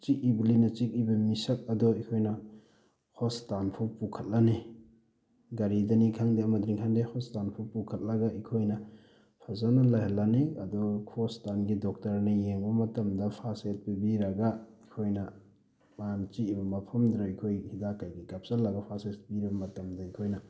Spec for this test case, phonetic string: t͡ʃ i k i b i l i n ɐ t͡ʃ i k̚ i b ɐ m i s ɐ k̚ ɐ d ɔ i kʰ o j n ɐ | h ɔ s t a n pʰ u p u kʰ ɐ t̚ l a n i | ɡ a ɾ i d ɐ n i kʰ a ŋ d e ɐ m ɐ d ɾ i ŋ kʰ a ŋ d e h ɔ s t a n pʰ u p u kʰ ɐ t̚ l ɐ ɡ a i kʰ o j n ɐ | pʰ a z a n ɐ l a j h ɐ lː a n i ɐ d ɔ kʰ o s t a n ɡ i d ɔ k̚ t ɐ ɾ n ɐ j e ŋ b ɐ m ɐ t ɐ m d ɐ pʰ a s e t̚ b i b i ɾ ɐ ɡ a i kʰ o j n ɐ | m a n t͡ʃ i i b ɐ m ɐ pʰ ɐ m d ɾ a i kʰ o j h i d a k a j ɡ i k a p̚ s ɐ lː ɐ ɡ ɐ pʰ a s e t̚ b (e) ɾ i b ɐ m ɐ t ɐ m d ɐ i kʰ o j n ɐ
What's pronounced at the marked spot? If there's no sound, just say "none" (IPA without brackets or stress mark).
i